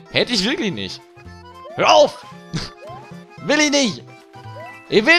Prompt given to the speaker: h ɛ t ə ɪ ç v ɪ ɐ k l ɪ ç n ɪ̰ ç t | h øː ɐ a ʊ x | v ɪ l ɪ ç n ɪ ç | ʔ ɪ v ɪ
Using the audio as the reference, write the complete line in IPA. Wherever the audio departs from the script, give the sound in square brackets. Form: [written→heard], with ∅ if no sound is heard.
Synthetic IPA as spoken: h ɛ t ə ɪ ç v ɪ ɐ k l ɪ ç n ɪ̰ ç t | h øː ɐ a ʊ [x→f] | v ɪ l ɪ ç n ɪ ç | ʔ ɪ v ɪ